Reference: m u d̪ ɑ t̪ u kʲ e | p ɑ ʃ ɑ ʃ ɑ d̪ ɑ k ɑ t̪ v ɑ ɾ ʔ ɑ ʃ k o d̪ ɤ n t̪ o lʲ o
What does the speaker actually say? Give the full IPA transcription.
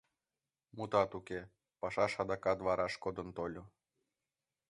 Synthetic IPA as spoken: m u t̪ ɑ t̪ u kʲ e | p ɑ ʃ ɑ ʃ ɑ d̪ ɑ k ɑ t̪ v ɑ ɾ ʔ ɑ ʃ k o d̪ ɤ n t̪ o lʲ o